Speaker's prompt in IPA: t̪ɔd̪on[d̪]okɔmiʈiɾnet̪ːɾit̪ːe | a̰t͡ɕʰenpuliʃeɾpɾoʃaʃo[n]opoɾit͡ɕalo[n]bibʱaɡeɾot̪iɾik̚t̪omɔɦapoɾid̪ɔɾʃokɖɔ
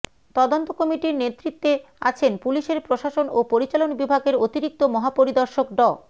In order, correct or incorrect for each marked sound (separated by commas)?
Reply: incorrect, correct, correct